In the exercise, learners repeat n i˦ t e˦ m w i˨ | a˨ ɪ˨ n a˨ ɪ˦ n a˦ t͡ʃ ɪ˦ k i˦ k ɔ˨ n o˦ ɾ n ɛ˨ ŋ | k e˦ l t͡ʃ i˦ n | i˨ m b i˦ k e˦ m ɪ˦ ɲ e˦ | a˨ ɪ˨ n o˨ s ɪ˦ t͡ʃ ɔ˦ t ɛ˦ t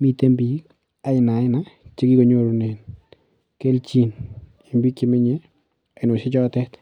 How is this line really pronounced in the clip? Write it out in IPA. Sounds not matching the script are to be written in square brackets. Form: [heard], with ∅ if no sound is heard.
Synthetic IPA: [m] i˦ t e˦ m [b] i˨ | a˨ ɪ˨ n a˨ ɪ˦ n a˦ t͡ʃ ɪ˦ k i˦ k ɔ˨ [ɲ] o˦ ɾ n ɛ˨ [n] | k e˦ l t͡ʃ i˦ n | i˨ m b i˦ k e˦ m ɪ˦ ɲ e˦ | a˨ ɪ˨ n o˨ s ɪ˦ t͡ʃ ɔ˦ t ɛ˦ t